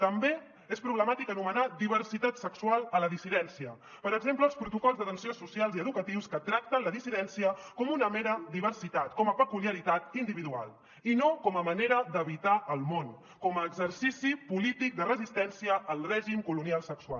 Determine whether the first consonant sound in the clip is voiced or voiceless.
voiceless